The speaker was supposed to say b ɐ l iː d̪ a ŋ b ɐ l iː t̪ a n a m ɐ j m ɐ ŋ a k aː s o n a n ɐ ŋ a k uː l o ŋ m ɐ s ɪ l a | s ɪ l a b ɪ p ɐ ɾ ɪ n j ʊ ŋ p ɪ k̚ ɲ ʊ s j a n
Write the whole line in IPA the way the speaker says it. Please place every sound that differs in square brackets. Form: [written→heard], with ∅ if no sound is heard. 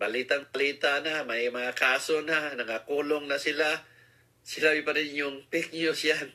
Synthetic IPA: b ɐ l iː [d̪→t̪] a ŋ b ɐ l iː t̪ a n a m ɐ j m ɐ ŋ a k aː s o n a n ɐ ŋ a k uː l o ŋ [m→n] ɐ s ɪ l a | s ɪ l a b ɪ p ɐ ɾ ɪ n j ʊ ŋ p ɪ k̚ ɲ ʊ s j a n